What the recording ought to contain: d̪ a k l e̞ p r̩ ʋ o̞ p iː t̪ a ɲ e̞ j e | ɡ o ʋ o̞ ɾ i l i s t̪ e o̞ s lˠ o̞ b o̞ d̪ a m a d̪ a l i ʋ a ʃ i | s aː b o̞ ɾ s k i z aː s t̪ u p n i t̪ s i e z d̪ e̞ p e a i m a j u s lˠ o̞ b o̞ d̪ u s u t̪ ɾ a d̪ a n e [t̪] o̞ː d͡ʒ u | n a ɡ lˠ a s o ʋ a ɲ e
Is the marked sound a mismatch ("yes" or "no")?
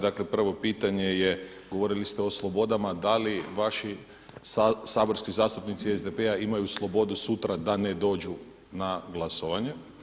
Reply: yes